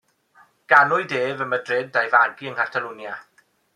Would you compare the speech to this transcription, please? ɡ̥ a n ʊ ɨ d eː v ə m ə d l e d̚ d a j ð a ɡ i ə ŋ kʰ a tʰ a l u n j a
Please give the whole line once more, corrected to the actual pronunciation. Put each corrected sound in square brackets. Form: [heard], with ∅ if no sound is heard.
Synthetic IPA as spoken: ɡ̥ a n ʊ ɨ d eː v ə m ə d [r] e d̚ d a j [v] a ɡ i ə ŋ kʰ a tʰ a l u n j a